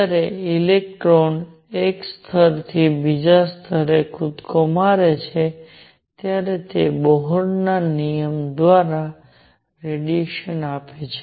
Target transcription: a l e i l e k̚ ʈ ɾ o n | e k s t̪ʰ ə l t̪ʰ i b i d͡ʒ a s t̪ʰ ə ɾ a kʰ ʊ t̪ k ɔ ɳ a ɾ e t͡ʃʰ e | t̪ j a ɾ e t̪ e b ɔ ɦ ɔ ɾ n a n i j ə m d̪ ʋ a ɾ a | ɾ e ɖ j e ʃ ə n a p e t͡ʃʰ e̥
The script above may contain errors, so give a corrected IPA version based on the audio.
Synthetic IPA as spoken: a ɾ e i l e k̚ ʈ ɾ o n | e k s t̪ʰ ə ɾ t̪ʰ i b i d͡ʒ a s t̪ʰ ə ɾ e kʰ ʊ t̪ k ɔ m a ɾ e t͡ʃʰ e | t̪ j a ɾ e t̪ e b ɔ ɦ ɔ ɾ n a n i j ə m d̪ ʋ a ɾ a | ɾ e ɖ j e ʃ ə n a p e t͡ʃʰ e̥